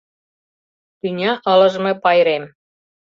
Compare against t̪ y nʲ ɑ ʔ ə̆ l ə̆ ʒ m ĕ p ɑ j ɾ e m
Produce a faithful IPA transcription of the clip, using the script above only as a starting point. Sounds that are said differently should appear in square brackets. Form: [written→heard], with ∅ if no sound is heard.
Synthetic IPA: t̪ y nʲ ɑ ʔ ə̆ l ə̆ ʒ m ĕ p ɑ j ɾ e m